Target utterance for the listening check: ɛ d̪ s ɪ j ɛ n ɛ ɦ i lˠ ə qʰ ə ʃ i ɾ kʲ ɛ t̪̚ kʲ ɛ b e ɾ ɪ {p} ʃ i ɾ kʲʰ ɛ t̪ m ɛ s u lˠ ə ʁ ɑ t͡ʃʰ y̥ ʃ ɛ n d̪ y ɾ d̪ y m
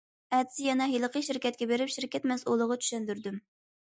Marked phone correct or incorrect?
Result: correct